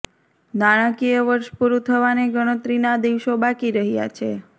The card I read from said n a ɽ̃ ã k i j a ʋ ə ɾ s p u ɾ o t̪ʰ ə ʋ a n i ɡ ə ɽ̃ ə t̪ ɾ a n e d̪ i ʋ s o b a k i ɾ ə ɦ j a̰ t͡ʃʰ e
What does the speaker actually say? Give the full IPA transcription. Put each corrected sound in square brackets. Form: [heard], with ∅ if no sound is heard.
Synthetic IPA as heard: n a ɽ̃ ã k i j [ə] ʋ ə ɾ [ʃ] p u ɾ [u] t̪ʰ ə ʋ a n [e] ɡ ə ɽ̃ ə t̪ ɾ [i] n [a] d̪ i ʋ [ʃ] o b a k i ɾ ə ɦ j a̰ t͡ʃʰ e

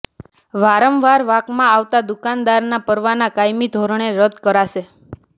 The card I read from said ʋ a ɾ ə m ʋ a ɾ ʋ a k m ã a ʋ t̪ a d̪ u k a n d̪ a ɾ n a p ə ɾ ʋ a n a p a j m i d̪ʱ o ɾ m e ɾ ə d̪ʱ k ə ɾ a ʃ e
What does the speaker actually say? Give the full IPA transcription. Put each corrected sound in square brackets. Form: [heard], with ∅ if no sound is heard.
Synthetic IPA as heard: ʋ a ɾ ə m ʋ a ɾ ʋ a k m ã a ʋ t̪ a d̪ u k a n d̪ a ɾ n a p ə ɾ ʋ a n a [k] a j m i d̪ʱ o ɾ [ɳ] e ɾ ə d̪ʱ k ə ɾ a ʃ e

